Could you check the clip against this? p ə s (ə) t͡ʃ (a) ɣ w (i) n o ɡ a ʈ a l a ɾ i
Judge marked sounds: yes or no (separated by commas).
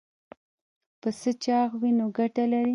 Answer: yes, no, yes